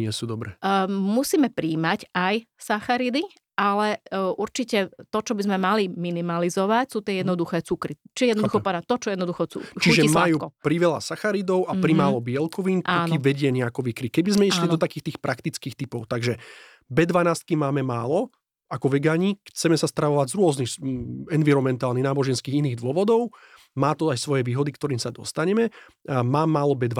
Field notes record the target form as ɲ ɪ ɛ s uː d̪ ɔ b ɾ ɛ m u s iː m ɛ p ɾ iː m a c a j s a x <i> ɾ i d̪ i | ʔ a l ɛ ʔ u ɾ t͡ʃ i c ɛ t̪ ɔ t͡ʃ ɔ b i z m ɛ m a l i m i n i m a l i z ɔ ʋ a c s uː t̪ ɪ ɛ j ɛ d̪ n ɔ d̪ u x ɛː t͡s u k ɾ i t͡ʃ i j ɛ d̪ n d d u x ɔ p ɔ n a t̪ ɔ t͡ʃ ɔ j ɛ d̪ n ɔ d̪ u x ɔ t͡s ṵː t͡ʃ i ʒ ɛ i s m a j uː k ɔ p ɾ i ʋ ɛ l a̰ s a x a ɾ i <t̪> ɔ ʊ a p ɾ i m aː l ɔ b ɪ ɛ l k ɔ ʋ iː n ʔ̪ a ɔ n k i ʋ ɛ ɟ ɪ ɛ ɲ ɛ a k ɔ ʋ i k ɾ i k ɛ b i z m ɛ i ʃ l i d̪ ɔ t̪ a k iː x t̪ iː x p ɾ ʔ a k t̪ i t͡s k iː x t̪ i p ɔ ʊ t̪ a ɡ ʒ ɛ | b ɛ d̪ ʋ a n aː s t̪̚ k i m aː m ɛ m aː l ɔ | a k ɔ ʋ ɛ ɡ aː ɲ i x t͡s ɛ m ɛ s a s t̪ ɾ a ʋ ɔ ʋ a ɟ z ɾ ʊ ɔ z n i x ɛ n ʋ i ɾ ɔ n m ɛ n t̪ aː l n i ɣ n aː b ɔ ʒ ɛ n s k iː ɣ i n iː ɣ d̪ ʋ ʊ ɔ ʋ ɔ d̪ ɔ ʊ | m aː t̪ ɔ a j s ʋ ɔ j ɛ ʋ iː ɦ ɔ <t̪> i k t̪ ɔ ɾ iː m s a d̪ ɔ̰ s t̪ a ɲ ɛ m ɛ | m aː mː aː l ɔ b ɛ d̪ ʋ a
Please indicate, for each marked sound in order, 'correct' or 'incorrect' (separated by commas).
incorrect, incorrect, incorrect